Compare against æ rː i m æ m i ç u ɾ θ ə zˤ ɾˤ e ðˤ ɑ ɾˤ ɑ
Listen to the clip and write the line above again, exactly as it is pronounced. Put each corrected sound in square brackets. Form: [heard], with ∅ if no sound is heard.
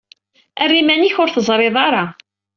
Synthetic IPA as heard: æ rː i m æ [n] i ç [ʊ] ɾ θ ə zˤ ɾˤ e ðˤ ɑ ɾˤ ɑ